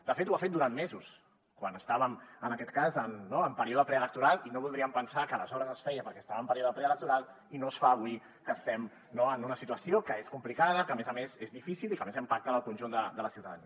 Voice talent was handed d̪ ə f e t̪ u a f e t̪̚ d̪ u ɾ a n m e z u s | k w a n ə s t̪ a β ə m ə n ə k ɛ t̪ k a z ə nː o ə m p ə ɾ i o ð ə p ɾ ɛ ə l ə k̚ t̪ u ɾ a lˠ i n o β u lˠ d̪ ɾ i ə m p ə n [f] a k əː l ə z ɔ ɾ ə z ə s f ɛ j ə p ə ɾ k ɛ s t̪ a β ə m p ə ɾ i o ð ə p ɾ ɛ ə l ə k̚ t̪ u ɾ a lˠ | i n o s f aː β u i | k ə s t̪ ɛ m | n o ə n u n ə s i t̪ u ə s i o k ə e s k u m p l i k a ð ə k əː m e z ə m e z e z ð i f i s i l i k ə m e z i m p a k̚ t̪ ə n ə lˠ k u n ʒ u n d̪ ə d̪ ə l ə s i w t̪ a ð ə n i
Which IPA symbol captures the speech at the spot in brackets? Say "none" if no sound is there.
s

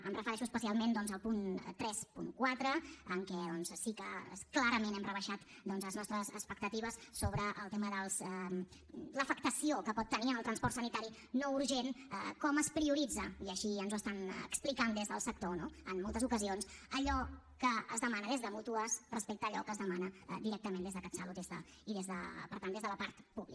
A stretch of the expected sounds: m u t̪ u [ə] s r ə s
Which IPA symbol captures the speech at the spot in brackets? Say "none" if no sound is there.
ə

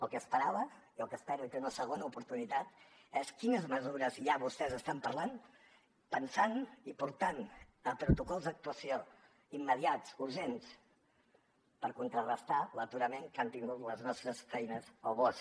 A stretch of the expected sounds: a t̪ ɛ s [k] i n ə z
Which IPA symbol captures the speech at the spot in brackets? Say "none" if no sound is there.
k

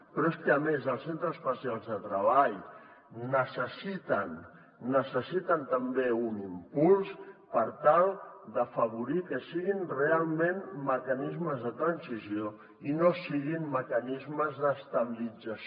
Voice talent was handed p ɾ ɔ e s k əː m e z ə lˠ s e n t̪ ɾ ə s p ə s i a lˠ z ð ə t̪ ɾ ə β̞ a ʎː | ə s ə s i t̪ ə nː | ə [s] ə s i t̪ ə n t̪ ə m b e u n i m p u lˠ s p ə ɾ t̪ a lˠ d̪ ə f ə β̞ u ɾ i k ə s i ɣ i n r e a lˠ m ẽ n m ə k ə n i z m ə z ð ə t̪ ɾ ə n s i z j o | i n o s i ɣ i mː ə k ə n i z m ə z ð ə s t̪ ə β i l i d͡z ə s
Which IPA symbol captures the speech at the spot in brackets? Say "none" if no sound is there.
s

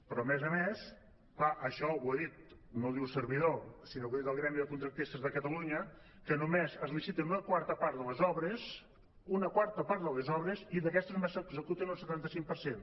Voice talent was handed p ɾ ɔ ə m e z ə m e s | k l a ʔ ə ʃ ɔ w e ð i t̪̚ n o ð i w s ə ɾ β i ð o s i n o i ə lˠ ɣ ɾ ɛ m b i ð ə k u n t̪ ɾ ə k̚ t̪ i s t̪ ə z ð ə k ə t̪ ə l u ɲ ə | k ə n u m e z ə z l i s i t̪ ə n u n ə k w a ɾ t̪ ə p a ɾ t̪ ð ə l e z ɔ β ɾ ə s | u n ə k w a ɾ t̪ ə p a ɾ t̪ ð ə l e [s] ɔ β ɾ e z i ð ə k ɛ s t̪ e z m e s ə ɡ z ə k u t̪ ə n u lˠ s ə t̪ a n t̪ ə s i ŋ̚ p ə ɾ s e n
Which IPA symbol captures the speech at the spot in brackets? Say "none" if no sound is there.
z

